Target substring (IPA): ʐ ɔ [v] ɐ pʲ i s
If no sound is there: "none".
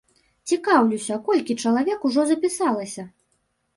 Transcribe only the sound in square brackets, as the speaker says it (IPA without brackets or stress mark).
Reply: z